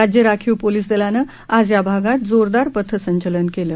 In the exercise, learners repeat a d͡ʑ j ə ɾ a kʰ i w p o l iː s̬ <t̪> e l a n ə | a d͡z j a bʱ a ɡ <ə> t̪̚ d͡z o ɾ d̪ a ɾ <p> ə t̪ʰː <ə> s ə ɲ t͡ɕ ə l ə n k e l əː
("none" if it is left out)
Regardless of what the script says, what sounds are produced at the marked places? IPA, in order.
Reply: d̪, a, p, ə

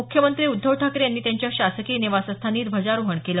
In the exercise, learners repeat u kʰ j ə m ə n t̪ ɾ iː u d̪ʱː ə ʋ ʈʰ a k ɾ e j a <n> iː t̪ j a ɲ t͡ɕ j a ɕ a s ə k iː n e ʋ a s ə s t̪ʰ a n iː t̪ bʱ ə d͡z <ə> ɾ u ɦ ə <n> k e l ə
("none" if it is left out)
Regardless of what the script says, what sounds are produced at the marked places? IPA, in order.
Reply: nː, a, ɳ

